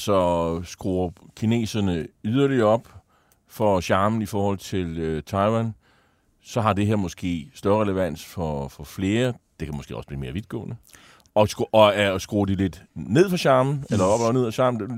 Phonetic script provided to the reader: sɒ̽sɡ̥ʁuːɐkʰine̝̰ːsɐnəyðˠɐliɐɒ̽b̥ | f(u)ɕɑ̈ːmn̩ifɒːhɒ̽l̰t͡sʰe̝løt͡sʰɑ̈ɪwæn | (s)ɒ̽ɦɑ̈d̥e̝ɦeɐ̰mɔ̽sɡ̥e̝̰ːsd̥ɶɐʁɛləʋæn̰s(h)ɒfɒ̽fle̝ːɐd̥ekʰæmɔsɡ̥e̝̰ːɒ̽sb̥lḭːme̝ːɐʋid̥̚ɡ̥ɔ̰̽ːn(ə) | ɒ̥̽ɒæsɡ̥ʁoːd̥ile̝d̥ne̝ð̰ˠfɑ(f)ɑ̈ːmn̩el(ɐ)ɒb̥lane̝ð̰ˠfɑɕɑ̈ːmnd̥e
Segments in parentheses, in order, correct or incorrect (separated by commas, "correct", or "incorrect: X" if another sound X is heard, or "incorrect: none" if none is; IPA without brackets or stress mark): incorrect: ɒ, correct, incorrect: f, correct, incorrect: ɕ, correct